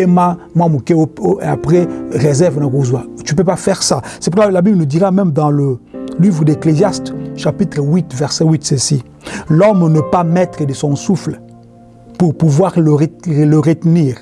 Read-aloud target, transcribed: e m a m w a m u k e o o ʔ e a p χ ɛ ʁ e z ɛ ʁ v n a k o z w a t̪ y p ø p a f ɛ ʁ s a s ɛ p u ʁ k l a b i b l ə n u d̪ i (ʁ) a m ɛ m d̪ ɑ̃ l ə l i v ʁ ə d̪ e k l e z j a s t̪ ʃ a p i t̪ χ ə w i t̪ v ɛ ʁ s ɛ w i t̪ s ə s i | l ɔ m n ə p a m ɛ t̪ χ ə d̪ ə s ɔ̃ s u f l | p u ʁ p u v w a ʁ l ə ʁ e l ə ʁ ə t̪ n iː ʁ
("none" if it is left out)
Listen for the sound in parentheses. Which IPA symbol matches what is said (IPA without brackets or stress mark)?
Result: ʁ